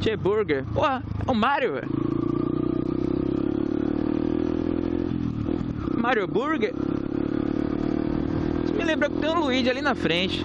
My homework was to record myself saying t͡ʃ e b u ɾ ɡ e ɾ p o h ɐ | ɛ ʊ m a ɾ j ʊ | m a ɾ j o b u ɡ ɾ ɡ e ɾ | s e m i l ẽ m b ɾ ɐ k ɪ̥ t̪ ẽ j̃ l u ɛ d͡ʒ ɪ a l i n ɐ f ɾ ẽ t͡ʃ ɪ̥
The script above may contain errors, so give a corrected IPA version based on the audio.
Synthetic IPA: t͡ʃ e b u ɾ ɡ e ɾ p o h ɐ | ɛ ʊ m a ɾ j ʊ | m a ɾ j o b u ɾ ɡ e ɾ | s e m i l ẽ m b ɾ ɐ k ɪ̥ t̪ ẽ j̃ l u i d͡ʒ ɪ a l i n ɐ f ɾ ẽ t͡ʃ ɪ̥